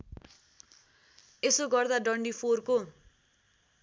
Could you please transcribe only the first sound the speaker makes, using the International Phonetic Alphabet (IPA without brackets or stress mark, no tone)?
e